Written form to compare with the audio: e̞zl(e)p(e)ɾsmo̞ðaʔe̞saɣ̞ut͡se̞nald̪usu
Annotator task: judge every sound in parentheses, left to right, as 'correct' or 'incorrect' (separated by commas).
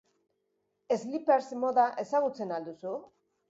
incorrect, correct